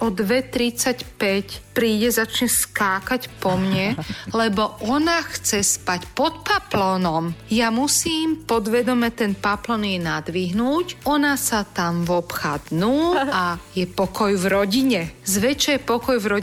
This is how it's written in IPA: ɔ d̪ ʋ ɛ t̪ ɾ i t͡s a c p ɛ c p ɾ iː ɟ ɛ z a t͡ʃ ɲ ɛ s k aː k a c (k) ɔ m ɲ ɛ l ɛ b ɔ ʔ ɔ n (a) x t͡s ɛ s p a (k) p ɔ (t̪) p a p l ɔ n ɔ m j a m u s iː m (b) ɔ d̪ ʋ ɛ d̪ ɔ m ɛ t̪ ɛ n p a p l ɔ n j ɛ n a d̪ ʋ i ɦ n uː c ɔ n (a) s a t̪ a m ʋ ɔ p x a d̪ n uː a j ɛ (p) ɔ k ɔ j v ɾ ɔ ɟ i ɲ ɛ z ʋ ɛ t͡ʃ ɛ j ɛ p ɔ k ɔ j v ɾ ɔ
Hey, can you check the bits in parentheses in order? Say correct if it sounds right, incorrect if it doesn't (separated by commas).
incorrect, correct, incorrect, correct, incorrect, correct, correct